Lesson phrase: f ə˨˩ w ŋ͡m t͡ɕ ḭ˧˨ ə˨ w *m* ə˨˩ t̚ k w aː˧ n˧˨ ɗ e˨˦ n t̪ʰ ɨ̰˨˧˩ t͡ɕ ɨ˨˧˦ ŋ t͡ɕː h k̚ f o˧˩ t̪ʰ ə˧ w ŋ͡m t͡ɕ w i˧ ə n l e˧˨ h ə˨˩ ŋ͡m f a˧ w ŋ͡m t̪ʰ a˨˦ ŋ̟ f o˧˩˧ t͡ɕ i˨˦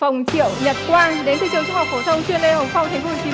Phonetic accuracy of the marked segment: incorrect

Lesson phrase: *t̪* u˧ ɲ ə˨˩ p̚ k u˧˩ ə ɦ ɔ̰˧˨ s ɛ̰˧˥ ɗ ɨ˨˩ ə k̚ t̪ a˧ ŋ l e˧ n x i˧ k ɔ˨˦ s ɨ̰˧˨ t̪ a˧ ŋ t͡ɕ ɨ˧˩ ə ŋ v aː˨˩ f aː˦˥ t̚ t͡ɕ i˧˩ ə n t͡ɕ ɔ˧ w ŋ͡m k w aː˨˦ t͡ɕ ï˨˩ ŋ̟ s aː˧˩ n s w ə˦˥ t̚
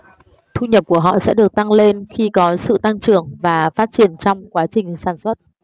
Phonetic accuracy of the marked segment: incorrect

